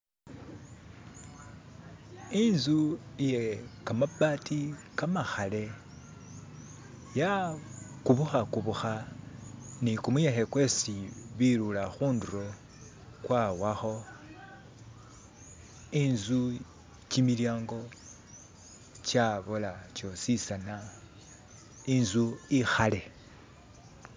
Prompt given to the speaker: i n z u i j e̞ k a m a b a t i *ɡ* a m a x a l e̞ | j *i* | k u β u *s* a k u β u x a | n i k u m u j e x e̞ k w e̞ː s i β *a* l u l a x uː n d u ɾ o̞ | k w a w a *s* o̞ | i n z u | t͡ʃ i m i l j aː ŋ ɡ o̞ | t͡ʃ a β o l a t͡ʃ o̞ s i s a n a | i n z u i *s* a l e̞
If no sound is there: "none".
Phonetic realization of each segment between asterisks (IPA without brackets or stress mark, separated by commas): k, a, x, i, x, x